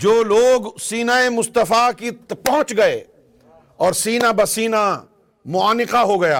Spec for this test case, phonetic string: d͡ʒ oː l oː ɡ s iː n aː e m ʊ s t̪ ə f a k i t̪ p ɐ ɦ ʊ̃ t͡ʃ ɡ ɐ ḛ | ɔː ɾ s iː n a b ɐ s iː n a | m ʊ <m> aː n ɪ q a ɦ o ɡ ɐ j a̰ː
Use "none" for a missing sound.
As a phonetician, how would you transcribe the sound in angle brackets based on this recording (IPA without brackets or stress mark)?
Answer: none